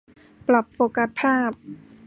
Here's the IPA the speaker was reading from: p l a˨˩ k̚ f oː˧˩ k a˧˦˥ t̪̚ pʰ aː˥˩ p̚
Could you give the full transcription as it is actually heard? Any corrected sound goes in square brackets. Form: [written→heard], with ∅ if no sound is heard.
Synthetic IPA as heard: p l a˨˩ [k̚→p̚] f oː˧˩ k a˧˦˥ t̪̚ pʰ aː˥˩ p̚